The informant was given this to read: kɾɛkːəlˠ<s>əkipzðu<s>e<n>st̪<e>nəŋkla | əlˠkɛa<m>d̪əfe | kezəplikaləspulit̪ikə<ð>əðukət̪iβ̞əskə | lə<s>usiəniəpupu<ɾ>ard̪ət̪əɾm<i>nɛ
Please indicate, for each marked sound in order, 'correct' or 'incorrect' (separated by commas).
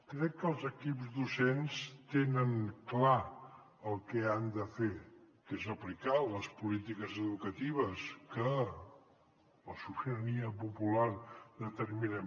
incorrect, correct, correct, correct, incorrect, incorrect, correct, incorrect, correct